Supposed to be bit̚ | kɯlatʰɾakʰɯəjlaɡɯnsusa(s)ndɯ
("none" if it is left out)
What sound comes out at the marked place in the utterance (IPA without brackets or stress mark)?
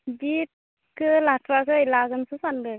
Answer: none